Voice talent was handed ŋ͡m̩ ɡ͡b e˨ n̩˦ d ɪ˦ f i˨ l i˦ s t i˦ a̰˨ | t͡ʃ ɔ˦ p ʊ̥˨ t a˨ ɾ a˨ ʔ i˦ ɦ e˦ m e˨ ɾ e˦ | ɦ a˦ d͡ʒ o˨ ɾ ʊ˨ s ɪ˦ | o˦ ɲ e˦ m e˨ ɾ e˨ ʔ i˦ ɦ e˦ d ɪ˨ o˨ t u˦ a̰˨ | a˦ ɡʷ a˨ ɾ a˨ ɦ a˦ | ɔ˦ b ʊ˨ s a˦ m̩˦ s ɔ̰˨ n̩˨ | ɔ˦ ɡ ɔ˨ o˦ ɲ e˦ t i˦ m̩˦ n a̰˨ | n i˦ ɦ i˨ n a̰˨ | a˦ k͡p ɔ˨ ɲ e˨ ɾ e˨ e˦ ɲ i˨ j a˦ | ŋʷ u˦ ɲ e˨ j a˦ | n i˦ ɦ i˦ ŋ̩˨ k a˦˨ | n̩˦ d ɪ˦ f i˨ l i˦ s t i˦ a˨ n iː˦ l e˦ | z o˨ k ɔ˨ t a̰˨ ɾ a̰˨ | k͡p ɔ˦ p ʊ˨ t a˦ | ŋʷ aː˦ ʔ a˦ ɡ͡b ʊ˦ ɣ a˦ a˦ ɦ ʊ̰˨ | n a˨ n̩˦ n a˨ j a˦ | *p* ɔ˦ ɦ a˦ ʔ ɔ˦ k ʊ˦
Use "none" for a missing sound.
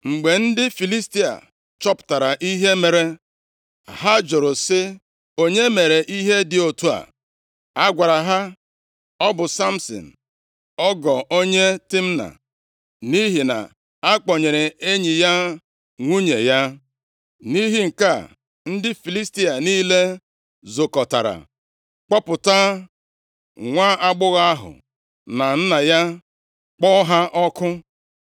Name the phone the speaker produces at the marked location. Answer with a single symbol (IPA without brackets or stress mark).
k͡p